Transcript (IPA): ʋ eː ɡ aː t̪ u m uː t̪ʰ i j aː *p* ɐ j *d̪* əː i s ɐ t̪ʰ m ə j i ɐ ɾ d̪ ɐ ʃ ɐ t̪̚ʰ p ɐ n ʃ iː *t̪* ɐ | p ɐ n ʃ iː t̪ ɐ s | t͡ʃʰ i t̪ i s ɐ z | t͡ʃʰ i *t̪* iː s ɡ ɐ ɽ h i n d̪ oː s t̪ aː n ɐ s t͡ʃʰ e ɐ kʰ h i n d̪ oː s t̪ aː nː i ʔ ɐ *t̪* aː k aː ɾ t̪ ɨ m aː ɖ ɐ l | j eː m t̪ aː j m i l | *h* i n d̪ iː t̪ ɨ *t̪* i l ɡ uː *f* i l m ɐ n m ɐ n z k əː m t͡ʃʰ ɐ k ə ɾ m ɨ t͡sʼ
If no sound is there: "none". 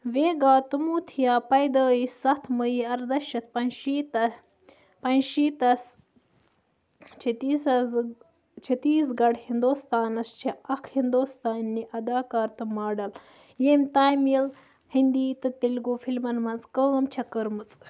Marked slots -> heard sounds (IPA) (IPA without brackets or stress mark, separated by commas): p, d̪, t̪, t̪, d̪, h, t̪, f